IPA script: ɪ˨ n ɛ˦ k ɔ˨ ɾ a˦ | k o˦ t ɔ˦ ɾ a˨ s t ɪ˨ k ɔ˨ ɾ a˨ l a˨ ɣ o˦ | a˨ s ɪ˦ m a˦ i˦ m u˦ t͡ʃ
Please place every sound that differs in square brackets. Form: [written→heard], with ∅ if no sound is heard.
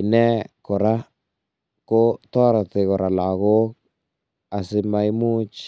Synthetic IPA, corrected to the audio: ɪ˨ n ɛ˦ k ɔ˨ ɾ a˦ | k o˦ t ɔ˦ ɾ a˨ [s→∅] t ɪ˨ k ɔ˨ ɾ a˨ l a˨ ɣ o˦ | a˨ s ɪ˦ m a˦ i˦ m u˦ t͡ʃ